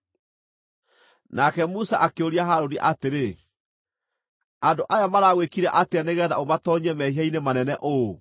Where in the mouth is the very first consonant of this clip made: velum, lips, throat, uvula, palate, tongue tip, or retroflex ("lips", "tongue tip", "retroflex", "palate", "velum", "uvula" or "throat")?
tongue tip